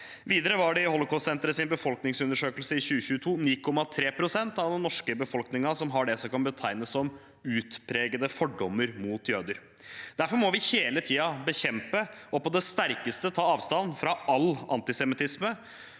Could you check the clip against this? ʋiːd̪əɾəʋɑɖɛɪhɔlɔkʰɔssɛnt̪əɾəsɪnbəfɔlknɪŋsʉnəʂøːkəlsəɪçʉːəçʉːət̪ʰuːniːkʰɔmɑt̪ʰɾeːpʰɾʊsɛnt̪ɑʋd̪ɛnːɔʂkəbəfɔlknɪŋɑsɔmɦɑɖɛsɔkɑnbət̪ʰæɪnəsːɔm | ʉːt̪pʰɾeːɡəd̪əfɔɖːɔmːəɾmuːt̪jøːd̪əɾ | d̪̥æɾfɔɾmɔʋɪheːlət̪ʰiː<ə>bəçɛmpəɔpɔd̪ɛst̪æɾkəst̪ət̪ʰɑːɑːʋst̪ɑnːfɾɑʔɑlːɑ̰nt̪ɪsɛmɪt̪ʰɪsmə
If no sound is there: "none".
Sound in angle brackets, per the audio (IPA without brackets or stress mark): ɑ